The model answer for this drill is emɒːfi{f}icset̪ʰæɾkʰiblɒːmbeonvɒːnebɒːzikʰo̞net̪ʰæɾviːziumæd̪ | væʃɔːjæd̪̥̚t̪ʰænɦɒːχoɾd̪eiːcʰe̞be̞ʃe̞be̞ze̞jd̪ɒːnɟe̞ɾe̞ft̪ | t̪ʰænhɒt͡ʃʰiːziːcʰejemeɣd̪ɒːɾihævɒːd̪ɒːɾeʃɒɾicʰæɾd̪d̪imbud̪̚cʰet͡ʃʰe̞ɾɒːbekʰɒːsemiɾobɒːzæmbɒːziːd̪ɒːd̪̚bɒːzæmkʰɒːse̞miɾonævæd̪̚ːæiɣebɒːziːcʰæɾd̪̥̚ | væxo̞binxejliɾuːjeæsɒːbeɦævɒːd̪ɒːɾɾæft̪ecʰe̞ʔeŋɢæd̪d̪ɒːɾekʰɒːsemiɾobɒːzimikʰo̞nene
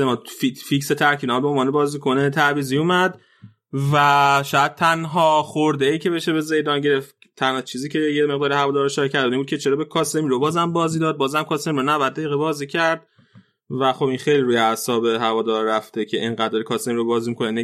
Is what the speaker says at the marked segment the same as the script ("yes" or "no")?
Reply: yes